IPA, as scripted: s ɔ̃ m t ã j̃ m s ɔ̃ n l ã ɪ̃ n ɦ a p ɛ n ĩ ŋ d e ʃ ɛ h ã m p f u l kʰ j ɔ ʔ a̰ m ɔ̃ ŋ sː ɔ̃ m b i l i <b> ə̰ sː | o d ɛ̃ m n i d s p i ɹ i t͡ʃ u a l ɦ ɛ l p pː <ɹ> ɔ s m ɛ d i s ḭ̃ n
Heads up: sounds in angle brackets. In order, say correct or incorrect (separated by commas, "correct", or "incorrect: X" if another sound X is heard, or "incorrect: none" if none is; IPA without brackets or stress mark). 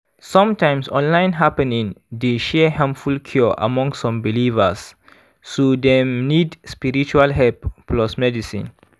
incorrect: v, incorrect: l